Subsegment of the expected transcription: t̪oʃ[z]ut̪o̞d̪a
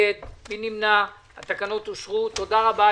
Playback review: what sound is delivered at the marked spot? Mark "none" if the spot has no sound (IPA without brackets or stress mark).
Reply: ʁ